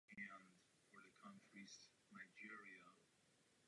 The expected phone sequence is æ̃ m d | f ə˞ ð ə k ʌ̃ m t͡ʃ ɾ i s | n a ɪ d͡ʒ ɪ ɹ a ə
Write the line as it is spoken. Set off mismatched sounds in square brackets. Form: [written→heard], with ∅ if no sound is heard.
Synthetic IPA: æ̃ [m→n] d | f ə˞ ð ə [k→kʰ] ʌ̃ [m→n] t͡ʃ [ɾ→ɹ] i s | n a ɪ d͡ʒ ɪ ɹ [a→i] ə